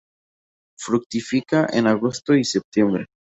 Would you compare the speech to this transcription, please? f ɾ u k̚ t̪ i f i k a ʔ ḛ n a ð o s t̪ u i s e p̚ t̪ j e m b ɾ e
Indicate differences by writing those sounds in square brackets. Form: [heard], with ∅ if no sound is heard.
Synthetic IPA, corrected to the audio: f ɾ u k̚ t̪ i f i k a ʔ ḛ n a [ɣ] o s t̪ [o] i s e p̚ t̪ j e m b ɾ e